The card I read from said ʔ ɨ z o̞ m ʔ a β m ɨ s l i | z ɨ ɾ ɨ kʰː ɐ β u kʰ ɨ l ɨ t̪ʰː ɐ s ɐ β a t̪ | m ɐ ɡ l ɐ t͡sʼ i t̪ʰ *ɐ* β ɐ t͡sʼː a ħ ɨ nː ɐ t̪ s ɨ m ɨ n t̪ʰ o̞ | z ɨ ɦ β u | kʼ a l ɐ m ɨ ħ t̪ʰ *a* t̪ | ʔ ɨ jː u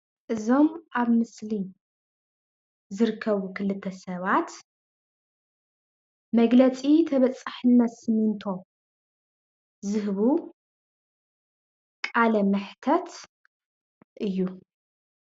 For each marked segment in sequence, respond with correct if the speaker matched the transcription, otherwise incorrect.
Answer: correct, incorrect: ɐ

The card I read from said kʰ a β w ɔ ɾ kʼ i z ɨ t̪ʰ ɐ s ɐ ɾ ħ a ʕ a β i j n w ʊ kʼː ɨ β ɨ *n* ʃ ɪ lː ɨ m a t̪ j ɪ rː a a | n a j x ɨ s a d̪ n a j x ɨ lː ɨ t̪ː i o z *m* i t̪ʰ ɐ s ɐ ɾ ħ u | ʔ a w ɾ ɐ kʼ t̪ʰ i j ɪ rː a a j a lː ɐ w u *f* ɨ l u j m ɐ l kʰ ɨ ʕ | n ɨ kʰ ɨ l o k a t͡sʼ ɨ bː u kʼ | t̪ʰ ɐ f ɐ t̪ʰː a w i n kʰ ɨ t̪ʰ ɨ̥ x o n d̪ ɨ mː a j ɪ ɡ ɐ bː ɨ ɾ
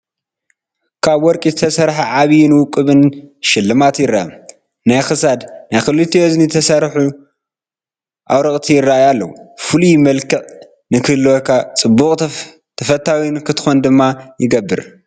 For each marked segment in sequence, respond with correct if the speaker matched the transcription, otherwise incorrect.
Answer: correct, incorrect: n, correct

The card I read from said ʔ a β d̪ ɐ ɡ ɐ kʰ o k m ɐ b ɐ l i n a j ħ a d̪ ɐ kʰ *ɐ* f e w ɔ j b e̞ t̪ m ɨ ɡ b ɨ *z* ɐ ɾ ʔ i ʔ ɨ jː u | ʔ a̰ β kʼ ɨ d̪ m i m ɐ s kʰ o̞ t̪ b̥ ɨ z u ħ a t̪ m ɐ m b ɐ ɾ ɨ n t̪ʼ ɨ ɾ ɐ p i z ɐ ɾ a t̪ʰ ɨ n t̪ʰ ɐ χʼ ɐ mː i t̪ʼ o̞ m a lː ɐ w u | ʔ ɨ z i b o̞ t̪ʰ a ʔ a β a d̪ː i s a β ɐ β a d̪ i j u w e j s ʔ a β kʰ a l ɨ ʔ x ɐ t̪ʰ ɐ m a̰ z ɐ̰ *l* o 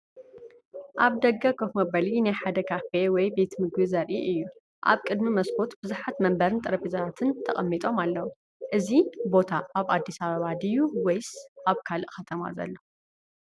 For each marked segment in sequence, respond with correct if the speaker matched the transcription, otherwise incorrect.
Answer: incorrect: a, correct, incorrect: lː

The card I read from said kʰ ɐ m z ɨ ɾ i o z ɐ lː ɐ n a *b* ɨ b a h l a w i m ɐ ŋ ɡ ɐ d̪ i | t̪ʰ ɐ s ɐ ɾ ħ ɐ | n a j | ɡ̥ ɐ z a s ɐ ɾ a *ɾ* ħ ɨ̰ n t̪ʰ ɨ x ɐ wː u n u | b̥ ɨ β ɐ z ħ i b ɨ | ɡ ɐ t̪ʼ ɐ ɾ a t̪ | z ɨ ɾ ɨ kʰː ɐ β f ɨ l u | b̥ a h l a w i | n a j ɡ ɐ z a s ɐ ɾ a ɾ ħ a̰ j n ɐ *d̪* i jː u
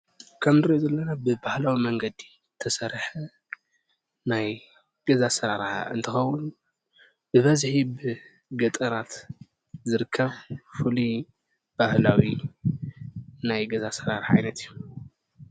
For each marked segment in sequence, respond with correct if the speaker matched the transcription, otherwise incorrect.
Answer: correct, correct, incorrect: t̪

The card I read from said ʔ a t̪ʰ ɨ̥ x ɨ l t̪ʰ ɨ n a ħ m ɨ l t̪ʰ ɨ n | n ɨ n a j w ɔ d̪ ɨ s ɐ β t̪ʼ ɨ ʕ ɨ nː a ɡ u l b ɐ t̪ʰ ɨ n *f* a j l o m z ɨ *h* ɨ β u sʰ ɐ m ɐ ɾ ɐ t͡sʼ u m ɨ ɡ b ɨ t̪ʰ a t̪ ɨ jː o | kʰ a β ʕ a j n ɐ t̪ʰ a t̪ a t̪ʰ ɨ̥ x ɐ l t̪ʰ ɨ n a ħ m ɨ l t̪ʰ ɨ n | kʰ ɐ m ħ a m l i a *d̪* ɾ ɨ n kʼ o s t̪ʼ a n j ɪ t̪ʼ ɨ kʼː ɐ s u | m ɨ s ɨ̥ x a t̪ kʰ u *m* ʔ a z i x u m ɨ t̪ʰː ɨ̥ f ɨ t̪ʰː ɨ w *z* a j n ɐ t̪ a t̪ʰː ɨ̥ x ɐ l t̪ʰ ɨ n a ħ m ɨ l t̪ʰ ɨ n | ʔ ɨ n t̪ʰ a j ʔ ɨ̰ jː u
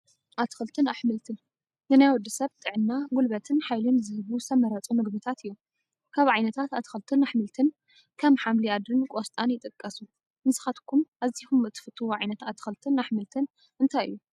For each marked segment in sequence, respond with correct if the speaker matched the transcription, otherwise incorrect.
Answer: incorrect: ħ, correct, correct, correct, incorrect: ʕ

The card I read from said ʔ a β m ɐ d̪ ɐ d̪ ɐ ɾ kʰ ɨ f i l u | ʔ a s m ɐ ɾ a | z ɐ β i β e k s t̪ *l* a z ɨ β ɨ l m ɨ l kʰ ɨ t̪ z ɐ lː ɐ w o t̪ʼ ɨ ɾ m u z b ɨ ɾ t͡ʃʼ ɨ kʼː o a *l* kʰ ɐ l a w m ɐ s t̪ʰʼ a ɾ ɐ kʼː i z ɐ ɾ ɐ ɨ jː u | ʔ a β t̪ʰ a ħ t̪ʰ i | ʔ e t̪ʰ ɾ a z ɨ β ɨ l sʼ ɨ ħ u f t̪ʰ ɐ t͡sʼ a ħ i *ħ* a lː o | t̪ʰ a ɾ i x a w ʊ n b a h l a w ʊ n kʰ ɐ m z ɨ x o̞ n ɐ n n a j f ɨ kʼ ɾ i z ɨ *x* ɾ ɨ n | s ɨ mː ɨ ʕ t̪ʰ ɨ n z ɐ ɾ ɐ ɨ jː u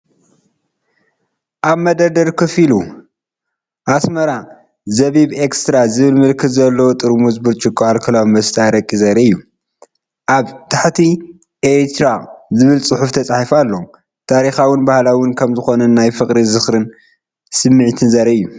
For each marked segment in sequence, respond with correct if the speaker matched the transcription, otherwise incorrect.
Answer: incorrect: ɾ, correct, incorrect: f, correct

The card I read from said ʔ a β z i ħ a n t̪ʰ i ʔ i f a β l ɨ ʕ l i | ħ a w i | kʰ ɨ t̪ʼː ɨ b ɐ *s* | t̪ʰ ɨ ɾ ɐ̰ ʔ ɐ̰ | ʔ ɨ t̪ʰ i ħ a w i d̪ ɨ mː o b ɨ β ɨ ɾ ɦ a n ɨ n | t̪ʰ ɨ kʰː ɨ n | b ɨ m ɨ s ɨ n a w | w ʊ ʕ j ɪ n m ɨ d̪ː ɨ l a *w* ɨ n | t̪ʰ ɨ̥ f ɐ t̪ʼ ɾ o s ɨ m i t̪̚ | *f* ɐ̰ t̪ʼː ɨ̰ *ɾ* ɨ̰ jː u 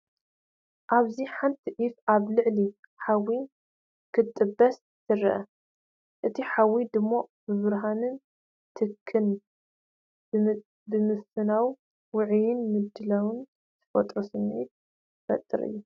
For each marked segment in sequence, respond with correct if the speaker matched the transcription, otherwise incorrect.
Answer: correct, correct, correct, correct

